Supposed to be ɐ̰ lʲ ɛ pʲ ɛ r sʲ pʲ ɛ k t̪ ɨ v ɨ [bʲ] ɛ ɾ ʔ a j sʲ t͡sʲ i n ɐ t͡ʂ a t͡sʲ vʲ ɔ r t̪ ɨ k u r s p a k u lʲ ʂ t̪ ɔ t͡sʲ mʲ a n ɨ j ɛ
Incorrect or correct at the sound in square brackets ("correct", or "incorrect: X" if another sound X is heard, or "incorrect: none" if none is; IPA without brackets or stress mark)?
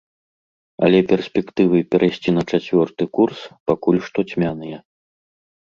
incorrect: pʲ